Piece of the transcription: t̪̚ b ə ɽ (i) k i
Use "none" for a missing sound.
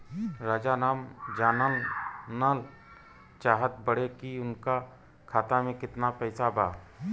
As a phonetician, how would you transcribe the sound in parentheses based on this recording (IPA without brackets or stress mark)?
e